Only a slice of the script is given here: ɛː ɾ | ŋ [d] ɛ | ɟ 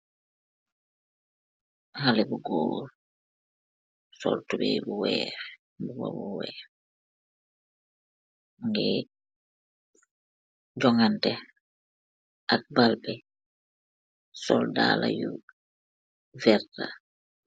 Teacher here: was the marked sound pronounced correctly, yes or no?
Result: no